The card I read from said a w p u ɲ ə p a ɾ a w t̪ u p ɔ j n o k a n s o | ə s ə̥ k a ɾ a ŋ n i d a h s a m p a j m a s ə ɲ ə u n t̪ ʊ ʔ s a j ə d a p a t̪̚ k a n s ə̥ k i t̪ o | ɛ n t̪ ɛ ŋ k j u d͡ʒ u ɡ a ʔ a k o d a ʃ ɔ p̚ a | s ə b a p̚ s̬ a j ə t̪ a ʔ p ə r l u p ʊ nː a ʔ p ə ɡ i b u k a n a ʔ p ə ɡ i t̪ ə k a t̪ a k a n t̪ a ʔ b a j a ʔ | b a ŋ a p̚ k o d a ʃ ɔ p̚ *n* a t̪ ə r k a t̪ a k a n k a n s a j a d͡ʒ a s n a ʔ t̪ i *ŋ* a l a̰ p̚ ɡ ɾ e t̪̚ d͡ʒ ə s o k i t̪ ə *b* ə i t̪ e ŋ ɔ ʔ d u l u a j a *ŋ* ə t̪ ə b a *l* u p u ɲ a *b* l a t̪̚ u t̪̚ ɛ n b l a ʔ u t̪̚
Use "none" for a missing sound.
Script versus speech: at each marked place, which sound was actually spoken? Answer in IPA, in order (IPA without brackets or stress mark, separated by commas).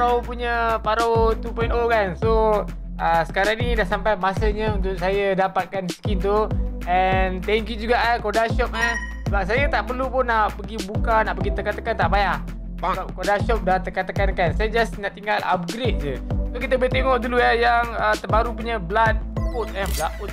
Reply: d, ŋ, b, ŋ, ɾ, b